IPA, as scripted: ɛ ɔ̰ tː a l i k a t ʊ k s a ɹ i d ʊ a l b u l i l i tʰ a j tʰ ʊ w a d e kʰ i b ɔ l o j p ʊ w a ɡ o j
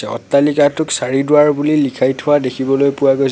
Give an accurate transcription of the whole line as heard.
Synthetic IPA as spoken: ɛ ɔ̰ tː a l i k a t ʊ k s a ɹ i d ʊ a ɹ b u l i l i kʰ a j tʰ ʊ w a d e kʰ i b ɔ l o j p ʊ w a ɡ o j